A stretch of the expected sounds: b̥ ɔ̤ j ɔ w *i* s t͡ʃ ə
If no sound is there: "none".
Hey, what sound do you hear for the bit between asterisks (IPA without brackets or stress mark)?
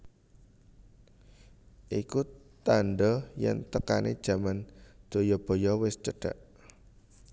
ɪ